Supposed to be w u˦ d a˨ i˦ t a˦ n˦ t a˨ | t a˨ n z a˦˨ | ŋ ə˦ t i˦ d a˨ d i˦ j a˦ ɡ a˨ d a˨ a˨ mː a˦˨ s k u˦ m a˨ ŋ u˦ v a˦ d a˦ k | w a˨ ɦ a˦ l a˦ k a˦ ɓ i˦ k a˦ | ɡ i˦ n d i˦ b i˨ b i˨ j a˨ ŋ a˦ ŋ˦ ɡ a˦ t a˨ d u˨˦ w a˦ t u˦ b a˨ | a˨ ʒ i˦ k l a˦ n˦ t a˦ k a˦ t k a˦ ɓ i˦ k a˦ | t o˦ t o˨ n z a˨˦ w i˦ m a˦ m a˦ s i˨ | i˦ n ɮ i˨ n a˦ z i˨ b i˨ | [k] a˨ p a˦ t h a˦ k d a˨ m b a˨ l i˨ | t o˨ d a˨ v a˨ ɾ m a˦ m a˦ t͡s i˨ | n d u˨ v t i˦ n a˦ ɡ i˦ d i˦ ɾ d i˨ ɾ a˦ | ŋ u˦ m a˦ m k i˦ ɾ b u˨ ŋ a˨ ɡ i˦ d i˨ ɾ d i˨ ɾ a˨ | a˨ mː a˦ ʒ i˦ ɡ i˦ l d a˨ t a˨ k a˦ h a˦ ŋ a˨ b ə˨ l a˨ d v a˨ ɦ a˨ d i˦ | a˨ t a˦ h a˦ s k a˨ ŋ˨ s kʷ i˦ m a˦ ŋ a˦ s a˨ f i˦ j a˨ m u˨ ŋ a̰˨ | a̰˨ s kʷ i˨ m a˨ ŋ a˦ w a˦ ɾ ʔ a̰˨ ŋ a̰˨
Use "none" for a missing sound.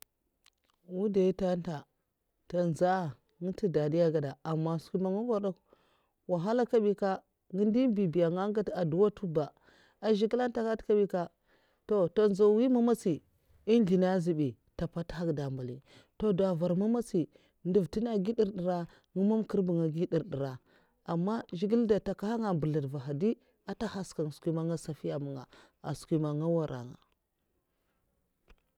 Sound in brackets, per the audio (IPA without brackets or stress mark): t